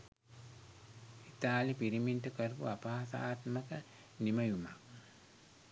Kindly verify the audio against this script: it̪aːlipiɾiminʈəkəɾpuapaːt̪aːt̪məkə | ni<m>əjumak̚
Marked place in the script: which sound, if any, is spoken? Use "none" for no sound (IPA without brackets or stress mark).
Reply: m